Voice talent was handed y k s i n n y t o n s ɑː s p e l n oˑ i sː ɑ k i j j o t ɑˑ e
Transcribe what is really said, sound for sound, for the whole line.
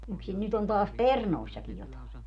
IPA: y k s i n n y t o n t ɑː s p e r n oˑ i sː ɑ k i j j o t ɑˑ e